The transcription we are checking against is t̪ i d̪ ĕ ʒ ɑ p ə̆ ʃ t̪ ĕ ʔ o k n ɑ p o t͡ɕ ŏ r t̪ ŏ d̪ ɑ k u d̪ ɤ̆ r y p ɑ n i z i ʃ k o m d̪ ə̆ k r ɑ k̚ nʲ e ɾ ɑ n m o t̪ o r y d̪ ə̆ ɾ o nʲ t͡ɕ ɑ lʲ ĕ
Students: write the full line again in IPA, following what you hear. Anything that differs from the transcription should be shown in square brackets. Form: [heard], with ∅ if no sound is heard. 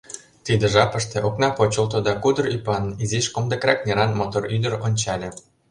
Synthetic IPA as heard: t̪ i d̪ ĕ ʒ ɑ p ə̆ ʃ t̪ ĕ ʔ o k n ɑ p o t͡ɕ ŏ [l] t̪ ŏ d̪ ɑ k u d̪ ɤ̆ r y p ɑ n i z i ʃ k o m d̪ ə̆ k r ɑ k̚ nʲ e ɾ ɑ n m o t̪ o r y d̪ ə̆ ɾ o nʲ t͡ɕ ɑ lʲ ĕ